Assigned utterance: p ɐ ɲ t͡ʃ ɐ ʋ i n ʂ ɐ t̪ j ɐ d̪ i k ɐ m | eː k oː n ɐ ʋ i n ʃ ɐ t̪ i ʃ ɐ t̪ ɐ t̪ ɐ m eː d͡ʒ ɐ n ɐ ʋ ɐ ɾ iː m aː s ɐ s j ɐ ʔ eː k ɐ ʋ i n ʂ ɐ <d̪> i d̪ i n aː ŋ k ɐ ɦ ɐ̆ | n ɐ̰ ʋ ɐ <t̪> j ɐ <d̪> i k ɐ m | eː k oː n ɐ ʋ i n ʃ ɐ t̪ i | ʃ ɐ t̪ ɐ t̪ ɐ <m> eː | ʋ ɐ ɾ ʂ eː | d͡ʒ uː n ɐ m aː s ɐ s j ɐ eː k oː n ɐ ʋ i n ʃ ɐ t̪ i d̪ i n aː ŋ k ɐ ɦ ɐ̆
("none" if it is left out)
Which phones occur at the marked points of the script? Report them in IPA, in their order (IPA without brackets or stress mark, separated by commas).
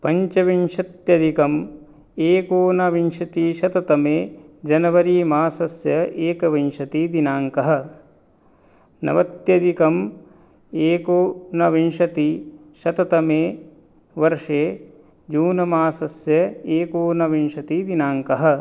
t̪, t̪, d̪, m